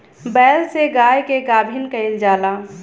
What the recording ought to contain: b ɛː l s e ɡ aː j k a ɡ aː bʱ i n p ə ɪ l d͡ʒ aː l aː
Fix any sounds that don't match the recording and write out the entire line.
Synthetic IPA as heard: b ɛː l s e ɡ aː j k e ɡ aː bʱ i n k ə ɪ l d͡ʒ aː l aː